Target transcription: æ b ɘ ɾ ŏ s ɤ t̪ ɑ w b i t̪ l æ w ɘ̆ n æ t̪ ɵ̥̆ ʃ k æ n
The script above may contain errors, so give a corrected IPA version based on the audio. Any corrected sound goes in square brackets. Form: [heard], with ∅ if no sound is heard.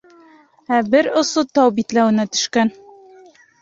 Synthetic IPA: æ b ɘ ɾ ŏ s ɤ t̪ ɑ w b i t̪ l æ w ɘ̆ n æ t̪ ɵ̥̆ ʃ k æ n